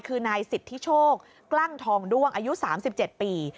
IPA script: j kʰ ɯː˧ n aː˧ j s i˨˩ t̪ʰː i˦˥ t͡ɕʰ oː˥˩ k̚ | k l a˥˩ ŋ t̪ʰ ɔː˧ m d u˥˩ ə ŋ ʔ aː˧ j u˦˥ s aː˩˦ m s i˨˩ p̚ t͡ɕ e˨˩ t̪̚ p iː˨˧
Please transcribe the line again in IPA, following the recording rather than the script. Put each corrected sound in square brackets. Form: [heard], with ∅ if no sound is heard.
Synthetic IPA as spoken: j kʰ ɯː˧ n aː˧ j s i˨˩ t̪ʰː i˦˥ t͡ɕʰ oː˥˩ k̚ | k l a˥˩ ŋ t̪ʰ ɔː˧ [ŋ] d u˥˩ ə ŋ ʔ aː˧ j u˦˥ s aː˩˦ m s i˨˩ p̚ t͡ɕ e˨˩ t̪̚ p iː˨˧